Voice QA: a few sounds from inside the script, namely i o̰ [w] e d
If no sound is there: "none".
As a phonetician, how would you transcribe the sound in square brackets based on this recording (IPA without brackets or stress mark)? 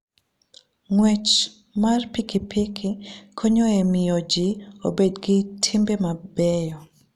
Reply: b